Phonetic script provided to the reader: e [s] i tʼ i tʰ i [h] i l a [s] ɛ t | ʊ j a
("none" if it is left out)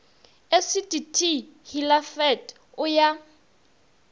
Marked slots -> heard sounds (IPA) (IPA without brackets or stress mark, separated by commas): s, h, f